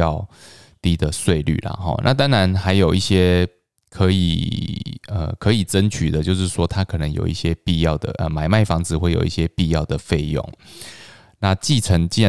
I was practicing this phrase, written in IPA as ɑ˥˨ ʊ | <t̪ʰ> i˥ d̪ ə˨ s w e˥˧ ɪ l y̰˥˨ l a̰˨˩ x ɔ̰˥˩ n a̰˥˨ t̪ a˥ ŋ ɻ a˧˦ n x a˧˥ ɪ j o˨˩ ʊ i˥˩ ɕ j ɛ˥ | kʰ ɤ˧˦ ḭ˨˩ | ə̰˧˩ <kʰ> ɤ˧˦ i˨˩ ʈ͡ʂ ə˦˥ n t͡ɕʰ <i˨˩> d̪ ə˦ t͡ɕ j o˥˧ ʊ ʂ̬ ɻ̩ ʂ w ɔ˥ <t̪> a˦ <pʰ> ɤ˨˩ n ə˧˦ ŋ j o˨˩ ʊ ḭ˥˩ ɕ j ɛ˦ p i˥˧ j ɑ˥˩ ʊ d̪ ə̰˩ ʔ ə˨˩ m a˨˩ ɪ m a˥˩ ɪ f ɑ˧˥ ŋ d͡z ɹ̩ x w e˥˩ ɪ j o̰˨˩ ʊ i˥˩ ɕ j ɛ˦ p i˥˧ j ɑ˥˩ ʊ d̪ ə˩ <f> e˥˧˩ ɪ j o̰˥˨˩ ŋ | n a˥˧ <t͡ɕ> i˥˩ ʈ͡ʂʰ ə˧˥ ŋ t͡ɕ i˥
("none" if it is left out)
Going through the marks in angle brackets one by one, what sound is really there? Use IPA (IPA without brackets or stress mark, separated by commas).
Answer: t̪, kʰ, y˨˩, t̪ʰ, kʰ, f, t͡ɕ